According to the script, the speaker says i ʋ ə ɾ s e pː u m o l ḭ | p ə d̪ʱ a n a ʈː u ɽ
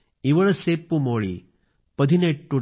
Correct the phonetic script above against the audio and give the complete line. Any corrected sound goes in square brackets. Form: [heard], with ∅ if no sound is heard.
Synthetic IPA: i ʋ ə [ɭ] s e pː u m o [ɭ] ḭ | p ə d̪ʱ [i] n [e] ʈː u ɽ